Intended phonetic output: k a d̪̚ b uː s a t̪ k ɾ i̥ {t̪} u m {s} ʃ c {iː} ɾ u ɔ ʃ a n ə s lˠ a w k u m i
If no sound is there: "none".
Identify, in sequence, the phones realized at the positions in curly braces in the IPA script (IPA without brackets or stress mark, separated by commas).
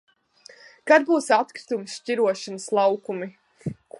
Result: t̪, s, i